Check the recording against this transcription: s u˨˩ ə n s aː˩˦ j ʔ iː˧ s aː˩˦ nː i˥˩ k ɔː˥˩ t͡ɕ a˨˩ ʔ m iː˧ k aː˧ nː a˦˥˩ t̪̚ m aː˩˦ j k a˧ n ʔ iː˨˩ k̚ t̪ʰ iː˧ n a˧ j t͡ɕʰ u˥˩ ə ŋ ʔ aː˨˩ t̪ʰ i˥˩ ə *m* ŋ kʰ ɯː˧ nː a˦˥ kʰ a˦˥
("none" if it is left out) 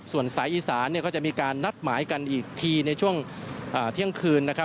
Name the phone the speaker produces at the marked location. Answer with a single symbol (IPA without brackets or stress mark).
none